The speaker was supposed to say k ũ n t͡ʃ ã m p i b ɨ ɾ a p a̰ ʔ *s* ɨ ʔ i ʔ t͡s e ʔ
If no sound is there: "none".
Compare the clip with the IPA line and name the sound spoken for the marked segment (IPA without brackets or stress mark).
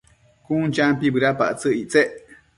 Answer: t͡s